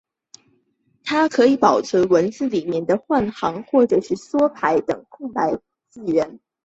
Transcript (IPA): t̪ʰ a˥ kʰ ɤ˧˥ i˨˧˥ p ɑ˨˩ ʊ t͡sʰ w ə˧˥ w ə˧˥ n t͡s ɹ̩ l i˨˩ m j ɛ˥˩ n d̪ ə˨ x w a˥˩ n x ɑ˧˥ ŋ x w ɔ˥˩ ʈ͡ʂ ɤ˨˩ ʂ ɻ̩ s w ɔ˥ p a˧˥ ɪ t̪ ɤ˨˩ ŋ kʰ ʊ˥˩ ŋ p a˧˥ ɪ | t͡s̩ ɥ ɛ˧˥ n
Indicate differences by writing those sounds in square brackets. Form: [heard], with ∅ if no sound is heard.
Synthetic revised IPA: t̪ʰ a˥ kʰ ɤ˧˥ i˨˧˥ p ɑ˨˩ ʊ t͡sʰ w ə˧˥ w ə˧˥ n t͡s ɹ̩ l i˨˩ m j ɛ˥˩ n d̪ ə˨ x w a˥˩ n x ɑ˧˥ ŋ x w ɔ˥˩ ʈ͡ʂ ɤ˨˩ ʂ ɻ̩ s w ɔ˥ [pʰ] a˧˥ ɪ t̪ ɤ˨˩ ŋ kʰ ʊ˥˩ ŋ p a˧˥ ɪ | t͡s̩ ɥ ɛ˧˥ n